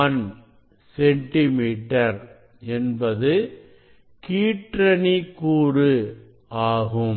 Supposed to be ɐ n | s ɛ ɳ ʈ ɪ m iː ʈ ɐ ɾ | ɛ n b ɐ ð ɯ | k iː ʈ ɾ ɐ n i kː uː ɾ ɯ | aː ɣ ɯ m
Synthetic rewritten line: ɐ n | s ɛ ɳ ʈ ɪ m iː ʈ ɐ ɾ | ɛ n b ɐ ð ɯ | k iː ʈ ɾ ɐ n i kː uː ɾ ɯ | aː ɣ ɯ m